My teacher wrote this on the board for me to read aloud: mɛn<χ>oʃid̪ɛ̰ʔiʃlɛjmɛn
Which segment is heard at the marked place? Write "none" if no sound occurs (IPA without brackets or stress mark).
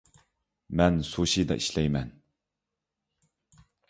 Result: s